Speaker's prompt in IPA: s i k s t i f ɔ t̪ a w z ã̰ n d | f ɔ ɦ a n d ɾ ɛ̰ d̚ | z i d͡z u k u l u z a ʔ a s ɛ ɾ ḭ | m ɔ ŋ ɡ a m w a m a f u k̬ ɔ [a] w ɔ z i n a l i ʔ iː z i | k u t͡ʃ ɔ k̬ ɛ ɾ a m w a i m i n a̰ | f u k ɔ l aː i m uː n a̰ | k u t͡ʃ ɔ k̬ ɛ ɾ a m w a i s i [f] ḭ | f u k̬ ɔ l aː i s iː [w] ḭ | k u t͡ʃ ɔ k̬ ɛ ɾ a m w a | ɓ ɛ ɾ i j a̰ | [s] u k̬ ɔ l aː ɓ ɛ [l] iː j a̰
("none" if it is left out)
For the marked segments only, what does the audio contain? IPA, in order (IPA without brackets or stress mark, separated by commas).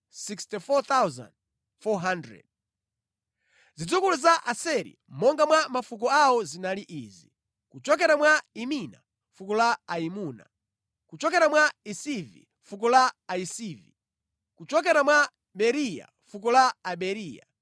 a, v, v, f, ɾ